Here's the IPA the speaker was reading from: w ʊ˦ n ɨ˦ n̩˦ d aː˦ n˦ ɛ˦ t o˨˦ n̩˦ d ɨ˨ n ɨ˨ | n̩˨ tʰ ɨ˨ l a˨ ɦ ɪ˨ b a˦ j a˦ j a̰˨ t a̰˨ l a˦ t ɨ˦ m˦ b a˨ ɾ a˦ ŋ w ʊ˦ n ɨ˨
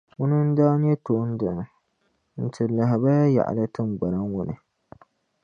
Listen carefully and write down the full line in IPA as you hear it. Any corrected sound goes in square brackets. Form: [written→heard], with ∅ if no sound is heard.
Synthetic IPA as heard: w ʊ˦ n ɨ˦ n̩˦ d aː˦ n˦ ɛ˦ t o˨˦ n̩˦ d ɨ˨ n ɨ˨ | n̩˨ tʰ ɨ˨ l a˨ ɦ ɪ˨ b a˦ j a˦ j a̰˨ [t→ʔ] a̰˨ l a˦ t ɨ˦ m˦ [b→ɡ͡b] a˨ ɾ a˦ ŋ w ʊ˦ n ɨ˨